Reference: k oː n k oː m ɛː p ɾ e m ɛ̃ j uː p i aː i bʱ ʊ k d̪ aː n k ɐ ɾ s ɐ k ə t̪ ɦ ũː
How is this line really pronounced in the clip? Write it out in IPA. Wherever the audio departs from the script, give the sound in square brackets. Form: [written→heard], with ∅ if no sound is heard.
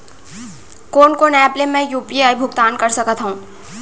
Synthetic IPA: k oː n k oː [m→n] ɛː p [ɾ→l] e m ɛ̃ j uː p i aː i bʱ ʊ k [d̪→t̪] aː n k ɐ ɾ s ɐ k ə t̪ ɦ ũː